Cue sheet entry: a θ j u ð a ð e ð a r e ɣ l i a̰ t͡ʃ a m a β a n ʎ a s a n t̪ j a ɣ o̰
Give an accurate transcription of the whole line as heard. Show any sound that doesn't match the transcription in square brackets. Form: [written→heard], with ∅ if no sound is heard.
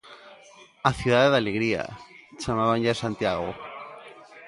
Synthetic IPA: a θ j u ð a ð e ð a [r→l] e ɣ [l→ɾ] i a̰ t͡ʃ a m a β a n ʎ a s a n t̪ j a ɣ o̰